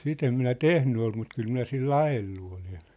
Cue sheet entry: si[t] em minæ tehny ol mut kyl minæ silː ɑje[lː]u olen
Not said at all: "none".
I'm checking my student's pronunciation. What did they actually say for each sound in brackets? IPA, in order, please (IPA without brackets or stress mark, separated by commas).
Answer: t, lː